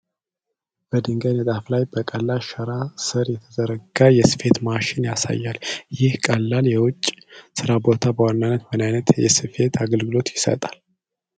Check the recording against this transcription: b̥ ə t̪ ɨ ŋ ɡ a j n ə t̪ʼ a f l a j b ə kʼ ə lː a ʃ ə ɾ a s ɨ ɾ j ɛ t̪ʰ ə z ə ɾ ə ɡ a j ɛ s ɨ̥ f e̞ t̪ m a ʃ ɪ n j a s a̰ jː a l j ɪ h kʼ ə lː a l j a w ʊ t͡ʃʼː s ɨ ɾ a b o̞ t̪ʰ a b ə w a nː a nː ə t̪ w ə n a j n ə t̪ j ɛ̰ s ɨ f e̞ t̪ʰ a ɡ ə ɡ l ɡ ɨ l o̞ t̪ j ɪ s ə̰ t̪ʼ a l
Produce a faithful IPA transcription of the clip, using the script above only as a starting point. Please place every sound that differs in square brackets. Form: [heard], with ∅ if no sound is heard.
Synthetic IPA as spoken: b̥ ə [d̪] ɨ ŋ ɡ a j n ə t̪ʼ a f l a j b ə kʼ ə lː a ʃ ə ɾ a s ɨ ɾ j ɛ t̪ʰ ə z ə ɾ ə ɡ a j ɛ s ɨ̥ f e̞ t̪ m a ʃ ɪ n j a s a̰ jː a l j ɪ h kʼ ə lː a l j [ɛ] w ʊ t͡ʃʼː s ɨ ɾ a b o̞ t̪ʰ a b ə w a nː a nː ə t̪ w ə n a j n ə t̪ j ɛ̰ s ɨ f e̞ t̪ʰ a ɡ ə [∅] l ɡ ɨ l o̞ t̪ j ɪ s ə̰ t̪ʼ a l